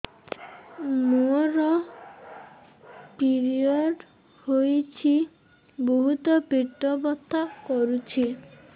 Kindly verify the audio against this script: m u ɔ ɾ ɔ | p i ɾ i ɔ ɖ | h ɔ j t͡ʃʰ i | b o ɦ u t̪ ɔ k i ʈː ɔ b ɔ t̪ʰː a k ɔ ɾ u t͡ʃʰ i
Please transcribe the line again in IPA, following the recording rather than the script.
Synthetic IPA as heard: m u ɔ ɾ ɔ | p i ɾ i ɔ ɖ | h o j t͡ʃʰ i | b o ɦ u t̪ ɔ p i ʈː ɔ b ɔ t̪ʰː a k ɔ ɾ u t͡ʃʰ i